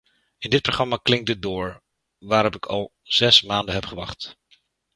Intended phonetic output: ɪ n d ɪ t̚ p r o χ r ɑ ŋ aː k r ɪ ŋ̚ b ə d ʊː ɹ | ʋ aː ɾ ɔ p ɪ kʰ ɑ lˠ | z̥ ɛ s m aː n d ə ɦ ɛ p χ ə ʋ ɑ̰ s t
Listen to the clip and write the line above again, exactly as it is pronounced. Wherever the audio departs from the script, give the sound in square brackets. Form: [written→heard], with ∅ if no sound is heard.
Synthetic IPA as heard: ɪ n d ɪ t̚ p r o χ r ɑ [ŋ→m] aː k [r→l] ɪ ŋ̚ [b→d] ə d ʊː ɹ | ʋ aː ɾ ɔ p ɪ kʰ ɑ lˠ | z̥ ɛ s m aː n d ə ɦ ɛ p χ ə ʋ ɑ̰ [s→χ] t